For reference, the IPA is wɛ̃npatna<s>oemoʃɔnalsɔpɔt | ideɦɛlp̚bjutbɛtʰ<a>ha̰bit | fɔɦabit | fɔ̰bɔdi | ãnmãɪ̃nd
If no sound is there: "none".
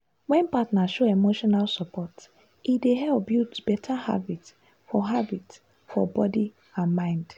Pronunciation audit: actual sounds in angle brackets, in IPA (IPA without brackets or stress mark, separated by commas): ʃ, a